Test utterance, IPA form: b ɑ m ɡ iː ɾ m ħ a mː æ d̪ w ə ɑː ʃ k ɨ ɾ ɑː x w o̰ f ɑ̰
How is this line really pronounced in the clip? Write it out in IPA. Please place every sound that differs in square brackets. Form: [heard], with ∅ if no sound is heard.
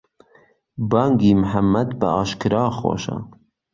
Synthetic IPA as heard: b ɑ [ŋ] ɡ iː [∅] m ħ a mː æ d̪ [b] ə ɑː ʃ k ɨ ɾ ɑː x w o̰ [ʃ] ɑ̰